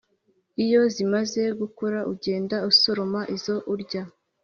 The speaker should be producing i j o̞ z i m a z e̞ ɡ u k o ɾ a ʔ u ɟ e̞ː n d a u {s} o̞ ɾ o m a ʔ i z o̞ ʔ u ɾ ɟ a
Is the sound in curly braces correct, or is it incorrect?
correct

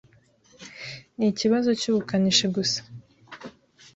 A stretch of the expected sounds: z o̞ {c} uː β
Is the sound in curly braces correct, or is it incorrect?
correct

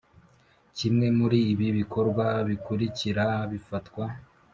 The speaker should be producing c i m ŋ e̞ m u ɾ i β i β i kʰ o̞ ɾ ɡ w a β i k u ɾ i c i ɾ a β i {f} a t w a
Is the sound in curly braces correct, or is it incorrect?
correct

